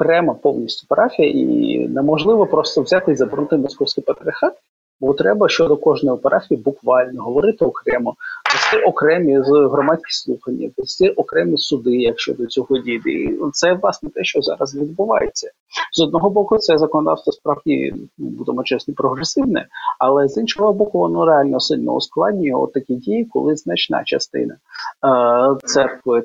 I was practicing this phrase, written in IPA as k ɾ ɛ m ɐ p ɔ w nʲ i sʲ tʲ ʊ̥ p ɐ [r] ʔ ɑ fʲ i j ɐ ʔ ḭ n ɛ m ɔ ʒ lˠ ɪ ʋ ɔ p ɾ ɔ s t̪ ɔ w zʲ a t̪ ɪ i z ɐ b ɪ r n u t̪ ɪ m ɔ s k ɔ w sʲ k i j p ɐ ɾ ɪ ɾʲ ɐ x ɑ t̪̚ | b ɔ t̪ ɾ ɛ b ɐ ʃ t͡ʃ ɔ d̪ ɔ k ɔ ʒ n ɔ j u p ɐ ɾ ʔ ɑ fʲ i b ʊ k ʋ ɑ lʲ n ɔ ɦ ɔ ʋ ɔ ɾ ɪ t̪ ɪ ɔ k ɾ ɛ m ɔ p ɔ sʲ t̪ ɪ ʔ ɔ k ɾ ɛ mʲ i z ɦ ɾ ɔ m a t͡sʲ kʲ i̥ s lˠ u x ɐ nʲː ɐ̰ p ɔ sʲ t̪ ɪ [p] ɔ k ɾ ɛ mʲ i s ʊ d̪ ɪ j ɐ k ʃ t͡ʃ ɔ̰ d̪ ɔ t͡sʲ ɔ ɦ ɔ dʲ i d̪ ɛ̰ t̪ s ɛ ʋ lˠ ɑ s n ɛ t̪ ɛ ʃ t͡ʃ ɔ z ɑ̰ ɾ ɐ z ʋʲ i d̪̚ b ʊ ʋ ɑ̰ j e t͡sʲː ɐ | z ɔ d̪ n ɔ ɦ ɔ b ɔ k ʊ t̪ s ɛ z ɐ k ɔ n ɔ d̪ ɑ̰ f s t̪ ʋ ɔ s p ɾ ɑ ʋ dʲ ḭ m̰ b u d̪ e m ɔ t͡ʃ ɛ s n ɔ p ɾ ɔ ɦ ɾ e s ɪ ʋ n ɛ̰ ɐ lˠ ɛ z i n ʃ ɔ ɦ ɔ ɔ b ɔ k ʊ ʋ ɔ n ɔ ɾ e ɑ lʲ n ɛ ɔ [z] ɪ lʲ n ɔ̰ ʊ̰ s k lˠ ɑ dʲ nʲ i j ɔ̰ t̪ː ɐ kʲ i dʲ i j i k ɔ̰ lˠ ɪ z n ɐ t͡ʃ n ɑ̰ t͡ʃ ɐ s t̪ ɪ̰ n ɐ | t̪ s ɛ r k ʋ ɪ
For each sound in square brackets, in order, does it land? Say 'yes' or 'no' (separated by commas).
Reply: no, no, no